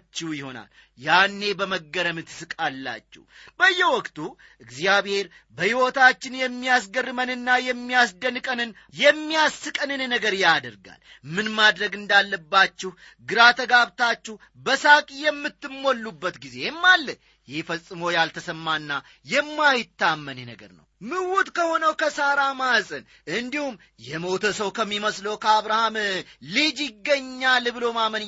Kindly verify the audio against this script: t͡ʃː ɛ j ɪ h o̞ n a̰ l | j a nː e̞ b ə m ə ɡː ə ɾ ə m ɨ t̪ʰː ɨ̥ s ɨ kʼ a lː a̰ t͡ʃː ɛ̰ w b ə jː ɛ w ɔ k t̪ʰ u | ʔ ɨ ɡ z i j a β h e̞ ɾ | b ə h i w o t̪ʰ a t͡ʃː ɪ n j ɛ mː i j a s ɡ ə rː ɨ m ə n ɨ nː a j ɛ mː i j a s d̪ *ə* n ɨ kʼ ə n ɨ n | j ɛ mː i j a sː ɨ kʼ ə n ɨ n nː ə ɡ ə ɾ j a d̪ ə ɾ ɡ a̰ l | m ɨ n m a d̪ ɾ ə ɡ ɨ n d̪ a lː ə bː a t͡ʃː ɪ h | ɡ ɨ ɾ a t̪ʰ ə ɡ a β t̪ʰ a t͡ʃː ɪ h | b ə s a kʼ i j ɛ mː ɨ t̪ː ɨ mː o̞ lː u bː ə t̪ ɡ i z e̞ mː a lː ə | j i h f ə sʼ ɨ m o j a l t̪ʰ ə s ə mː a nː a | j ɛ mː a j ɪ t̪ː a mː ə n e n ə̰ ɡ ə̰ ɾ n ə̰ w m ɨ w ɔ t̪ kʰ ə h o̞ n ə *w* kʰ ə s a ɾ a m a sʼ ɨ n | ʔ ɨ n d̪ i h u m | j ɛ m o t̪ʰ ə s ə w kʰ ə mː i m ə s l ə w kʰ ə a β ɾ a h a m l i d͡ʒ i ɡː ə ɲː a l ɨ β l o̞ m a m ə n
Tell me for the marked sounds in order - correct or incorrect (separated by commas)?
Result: correct, correct